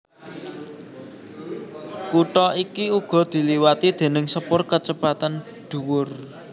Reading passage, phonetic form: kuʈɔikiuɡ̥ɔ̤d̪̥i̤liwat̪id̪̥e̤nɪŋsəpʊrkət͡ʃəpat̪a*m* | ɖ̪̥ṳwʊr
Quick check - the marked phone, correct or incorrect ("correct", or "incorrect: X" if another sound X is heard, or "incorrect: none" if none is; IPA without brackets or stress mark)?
incorrect: n